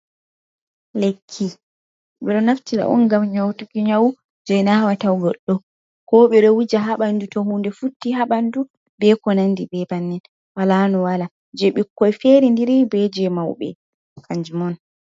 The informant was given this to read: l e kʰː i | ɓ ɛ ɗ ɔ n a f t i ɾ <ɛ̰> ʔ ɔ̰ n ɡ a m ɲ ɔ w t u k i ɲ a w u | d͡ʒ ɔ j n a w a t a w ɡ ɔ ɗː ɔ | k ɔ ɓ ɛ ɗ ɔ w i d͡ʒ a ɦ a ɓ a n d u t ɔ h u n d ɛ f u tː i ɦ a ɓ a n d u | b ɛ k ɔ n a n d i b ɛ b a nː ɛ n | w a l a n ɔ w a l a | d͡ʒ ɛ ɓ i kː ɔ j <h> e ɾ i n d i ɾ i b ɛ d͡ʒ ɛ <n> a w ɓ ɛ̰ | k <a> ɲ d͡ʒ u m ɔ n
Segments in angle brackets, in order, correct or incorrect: incorrect: a̰, incorrect: f, incorrect: m, correct

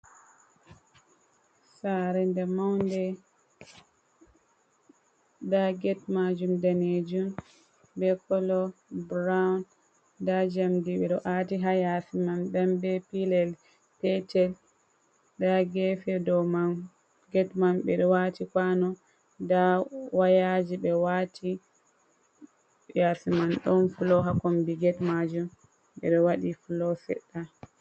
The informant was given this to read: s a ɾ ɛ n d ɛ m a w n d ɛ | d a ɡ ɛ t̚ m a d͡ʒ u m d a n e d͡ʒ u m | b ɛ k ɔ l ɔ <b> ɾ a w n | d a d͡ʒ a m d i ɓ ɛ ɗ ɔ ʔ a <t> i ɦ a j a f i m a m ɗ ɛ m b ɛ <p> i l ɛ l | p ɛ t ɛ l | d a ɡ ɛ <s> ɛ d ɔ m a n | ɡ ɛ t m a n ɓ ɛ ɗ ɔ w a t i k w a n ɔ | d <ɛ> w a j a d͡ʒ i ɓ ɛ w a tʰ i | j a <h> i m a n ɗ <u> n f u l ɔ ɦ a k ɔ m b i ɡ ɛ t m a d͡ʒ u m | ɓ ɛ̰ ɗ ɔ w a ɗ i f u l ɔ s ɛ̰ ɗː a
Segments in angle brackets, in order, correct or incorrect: correct, correct, correct, incorrect: f, incorrect: a, incorrect: s, incorrect: ɔ

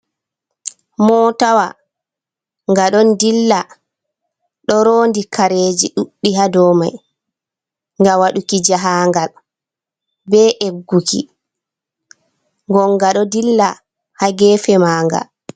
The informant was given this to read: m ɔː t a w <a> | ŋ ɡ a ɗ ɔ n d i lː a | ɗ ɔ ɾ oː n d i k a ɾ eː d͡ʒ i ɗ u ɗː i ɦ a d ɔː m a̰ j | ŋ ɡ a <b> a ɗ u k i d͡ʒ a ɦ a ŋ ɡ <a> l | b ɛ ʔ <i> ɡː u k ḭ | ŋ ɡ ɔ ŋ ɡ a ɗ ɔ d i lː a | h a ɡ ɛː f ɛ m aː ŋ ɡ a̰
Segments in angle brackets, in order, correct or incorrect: correct, incorrect: w, correct, incorrect: e

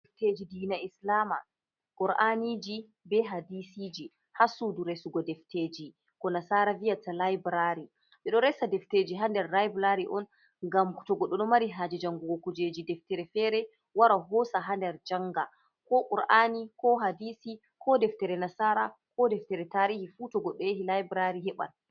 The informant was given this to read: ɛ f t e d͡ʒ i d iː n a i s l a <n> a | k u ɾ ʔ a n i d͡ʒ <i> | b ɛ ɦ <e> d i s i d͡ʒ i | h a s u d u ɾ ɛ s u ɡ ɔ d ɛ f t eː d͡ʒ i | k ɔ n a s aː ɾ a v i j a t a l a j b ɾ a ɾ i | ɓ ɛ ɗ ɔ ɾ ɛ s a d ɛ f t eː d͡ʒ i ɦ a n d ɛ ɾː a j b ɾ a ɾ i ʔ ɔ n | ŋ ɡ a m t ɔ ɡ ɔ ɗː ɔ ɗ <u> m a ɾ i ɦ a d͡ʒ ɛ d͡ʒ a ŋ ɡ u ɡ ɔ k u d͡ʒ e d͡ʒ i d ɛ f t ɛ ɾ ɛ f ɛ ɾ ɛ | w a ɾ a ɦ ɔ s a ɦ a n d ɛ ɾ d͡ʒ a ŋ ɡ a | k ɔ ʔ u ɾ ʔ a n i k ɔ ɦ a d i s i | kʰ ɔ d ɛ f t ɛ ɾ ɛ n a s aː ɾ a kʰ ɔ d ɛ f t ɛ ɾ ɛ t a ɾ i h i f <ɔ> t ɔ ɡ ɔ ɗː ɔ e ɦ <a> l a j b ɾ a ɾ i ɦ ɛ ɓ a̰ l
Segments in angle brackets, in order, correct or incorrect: incorrect: m, correct, incorrect: a, incorrect: ɔ, incorrect: u, incorrect: i

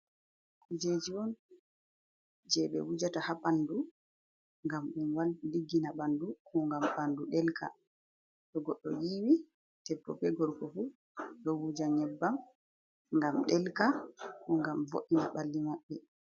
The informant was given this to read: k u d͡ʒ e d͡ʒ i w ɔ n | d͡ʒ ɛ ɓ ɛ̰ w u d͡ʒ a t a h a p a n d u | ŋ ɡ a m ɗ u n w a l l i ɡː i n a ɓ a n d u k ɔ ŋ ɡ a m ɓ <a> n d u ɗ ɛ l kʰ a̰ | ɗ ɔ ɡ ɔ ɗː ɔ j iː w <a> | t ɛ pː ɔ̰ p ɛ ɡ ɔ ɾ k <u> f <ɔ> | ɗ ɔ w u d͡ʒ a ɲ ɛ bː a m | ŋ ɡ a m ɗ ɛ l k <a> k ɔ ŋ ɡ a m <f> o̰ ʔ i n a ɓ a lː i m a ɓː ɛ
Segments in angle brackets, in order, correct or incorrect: correct, incorrect: i, incorrect: ɔ, incorrect: u, correct, incorrect: v

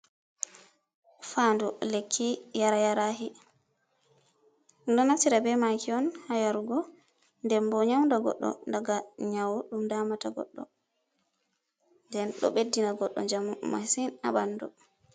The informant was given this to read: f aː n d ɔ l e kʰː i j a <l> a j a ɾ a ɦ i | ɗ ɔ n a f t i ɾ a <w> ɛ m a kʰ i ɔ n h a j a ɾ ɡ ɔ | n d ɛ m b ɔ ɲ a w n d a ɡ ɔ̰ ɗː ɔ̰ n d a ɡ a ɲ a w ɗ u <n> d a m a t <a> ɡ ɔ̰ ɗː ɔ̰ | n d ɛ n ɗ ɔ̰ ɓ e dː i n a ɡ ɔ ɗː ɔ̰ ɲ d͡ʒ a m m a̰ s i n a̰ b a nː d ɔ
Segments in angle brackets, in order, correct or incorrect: incorrect: ɾ, incorrect: b, incorrect: m, correct

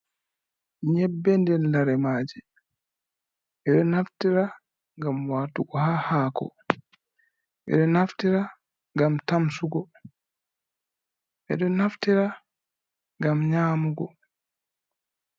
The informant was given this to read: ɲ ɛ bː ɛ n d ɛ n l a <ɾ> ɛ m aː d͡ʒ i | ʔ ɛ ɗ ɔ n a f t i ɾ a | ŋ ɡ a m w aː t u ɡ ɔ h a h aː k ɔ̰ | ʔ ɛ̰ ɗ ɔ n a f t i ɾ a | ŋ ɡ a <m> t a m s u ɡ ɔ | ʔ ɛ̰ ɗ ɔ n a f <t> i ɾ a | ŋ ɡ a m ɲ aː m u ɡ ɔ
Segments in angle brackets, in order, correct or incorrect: correct, correct, correct

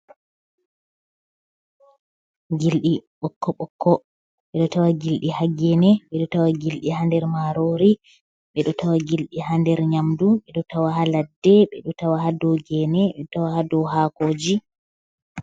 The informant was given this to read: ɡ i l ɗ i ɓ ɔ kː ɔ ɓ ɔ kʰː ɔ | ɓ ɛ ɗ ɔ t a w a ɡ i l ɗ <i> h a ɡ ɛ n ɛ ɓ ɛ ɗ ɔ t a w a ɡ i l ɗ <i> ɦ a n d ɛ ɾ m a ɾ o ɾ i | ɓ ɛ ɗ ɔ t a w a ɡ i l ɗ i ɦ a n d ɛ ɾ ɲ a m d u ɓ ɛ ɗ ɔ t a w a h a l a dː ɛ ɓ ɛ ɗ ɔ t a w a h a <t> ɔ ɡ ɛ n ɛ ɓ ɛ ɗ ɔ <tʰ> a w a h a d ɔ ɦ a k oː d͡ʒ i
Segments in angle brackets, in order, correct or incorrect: correct, correct, incorrect: d, incorrect: t

